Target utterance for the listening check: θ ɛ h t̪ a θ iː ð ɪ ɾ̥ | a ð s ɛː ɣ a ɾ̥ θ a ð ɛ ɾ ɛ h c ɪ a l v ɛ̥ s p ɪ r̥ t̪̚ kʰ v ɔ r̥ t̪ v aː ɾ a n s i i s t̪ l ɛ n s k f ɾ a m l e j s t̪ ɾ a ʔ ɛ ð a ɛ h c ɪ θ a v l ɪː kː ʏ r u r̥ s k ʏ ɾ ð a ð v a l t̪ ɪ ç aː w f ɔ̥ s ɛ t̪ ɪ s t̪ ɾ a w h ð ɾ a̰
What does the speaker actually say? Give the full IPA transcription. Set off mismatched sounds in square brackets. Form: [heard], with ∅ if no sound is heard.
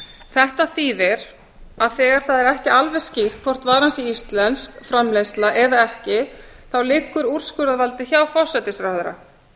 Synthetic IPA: θ ɛ h t̪ a θ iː ð ɪ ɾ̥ | a ð [θ] ɛː ɣ a ɾ̥ θ a ð ɛ ɾ ɛ h c ɪ a l v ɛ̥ s [c] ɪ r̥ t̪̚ kʰ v ɔ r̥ t̪ v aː ɾ a n s i i s t̪ l ɛ n s k f ɾ a m l e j s t̪ [l] a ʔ ɛ ð a ɛ h c ɪ θ a [w] l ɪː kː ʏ [ɾ] u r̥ s k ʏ ɾ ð a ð v a l t̪ ɪ ç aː w f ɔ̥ s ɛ t̪ ɪ s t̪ ɾ a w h ð ɾ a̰